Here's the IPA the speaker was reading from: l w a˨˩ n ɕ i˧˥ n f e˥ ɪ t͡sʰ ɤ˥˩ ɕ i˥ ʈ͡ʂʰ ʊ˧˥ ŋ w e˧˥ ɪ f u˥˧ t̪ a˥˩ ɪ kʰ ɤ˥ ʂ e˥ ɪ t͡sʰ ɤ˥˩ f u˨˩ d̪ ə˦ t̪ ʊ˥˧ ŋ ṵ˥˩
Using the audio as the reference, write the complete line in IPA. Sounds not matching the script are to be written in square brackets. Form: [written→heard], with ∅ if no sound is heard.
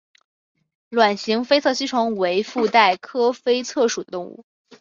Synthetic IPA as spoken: l w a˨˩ n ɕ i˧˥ [n→ŋ] f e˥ ɪ t͡sʰ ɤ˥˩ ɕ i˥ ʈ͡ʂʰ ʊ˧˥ ŋ w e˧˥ ɪ f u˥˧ t̪ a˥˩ ɪ kʰ ɤ˥ [ʂ→f] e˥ ɪ t͡sʰ ɤ˥˩ [f→ʂ] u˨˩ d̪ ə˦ t̪ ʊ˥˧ ŋ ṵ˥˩